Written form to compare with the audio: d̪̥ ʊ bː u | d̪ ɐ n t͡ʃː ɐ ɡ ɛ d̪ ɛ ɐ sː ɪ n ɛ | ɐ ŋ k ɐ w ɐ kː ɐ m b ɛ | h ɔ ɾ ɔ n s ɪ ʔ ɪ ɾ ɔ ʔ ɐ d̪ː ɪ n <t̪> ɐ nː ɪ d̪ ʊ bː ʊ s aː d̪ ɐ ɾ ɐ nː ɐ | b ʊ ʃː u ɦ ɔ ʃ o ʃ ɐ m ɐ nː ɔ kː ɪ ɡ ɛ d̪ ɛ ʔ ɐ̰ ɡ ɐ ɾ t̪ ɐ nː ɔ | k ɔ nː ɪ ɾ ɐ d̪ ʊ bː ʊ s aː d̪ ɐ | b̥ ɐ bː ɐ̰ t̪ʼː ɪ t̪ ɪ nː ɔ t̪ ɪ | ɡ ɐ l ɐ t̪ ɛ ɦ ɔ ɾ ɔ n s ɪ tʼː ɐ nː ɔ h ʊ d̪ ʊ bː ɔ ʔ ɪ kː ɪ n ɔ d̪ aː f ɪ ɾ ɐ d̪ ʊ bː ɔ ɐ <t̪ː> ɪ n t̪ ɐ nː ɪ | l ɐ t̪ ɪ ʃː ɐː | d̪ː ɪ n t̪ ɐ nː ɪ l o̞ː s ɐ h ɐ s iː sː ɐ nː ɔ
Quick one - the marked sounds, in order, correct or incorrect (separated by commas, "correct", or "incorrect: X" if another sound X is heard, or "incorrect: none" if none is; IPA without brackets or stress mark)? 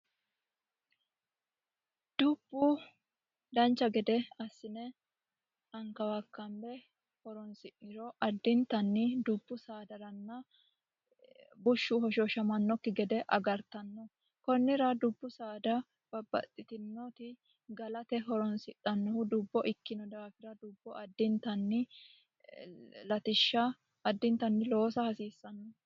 correct, incorrect: d̪ː